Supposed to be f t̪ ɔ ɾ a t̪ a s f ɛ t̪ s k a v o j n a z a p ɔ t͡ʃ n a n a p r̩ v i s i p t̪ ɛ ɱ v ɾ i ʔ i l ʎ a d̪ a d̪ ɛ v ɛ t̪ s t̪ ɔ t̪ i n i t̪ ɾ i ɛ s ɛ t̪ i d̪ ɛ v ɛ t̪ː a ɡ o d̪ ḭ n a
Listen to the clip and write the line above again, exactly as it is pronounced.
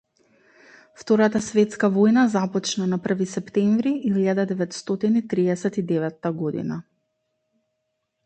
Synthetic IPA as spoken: f t̪ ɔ ɾ a t̪ a s v ɛ t̪ s k a v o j n a z a p ɔ t͡ʃ n a n a p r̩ v i s ɛ p t̪ ɛ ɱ v ɾ i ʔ i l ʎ a d̪ a d̪ ɛ v ɛ t̪ s t̪ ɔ t̪ i n i t̪ ɾ i ɛ s ɛ t̪ i d̪ ɛ v ɛ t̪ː a ɡ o d̪ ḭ n a

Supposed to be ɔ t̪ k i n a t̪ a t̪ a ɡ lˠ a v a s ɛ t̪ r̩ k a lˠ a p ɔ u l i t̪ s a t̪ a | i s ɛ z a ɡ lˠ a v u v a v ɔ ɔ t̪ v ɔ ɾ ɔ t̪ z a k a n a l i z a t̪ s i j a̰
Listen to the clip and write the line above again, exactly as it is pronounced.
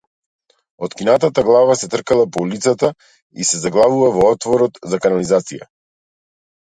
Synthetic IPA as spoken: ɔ t̪ k i n a t̪ a t̪ a ɡ lˠ a v a s ɛ t̪ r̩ k a lˠ a p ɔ u l i t̪ s a t̪ a | i s ɛ z a ɡ lˠ a v u v a v ɔ ɔ t̪ v ɔ ɾ ɔ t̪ z a k a n a l i z a t̪ s i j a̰

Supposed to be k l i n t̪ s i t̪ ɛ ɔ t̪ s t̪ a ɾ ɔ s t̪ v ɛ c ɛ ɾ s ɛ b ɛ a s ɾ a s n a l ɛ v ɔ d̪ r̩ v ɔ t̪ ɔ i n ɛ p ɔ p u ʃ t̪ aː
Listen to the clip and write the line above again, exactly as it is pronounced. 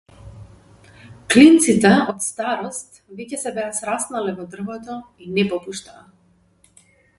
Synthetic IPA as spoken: k l i n t̪ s i t̪ ɛ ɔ t̪ s t̪ a ɾ ɔ s t̪ v ɛ c ɛ s ɛ b ɛ a s ɾ a s n a l ɛ v ɔ d̪ r̩ v ɔ t̪ ɔ i n ɛ p ɔ p u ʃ t̪ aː

